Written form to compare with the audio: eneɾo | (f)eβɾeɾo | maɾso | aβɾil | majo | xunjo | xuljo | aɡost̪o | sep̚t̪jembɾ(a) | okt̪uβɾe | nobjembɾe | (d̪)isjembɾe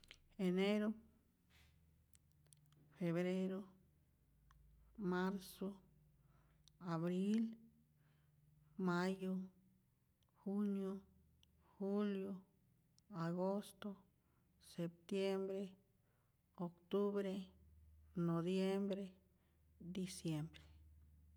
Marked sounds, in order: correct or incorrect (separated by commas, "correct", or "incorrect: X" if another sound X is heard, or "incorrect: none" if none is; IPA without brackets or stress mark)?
correct, incorrect: e, correct